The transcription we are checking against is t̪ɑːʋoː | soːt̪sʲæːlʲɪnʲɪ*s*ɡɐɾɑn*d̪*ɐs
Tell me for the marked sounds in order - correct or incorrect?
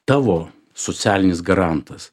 correct, incorrect: t̪

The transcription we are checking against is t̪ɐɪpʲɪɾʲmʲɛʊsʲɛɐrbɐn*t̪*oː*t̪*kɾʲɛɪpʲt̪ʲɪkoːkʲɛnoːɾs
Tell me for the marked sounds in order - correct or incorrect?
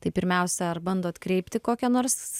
incorrect: d̪, correct

